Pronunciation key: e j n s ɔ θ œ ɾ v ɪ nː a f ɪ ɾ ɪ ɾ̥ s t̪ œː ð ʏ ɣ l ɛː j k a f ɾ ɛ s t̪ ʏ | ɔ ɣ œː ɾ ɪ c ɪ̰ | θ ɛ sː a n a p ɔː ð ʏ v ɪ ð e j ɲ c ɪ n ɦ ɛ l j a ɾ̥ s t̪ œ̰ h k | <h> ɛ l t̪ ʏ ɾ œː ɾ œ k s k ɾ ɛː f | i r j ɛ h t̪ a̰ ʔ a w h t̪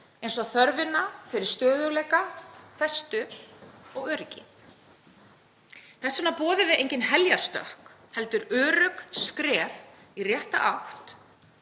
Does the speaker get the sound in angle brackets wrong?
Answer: no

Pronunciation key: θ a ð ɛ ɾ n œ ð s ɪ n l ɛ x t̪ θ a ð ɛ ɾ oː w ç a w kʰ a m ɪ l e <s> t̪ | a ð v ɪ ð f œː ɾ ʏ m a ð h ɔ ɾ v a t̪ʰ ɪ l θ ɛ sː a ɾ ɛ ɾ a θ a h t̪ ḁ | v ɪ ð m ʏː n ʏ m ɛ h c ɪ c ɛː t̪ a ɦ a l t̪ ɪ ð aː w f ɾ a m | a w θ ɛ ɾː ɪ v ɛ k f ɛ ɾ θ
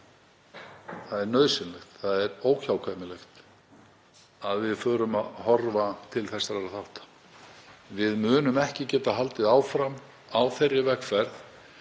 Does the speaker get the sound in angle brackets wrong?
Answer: yes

